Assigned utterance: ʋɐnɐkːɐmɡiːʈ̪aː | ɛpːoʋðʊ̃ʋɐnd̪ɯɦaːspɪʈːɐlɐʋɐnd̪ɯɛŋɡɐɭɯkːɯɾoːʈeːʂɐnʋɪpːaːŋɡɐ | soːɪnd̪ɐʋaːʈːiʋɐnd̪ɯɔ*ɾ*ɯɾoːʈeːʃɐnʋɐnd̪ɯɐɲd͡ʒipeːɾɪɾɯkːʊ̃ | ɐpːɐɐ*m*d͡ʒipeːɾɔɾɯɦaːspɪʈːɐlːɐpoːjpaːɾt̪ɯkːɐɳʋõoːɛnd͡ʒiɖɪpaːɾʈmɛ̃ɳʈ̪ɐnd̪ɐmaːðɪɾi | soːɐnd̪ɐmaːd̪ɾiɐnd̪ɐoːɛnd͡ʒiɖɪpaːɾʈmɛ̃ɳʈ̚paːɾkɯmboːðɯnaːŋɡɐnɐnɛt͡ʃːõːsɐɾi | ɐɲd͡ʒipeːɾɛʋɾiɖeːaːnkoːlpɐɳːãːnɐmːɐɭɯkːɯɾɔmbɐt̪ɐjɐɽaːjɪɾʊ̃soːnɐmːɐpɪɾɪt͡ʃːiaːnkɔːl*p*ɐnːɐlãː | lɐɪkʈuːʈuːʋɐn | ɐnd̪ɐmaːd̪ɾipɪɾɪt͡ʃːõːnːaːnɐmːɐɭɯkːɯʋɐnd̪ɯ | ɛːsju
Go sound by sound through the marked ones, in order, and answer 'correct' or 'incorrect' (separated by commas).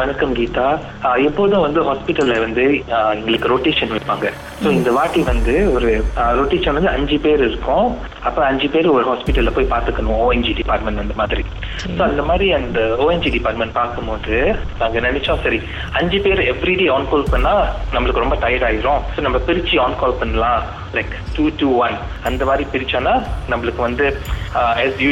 correct, incorrect, correct